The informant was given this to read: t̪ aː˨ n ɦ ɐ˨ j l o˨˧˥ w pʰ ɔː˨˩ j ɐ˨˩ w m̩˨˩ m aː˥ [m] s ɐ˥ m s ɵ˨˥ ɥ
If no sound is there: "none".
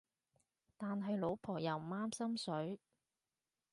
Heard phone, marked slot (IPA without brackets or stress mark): m